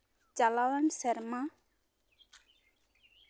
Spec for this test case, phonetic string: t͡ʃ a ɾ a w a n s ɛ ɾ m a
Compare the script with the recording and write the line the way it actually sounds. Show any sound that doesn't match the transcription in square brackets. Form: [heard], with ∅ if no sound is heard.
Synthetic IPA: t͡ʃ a [l] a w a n s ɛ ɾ m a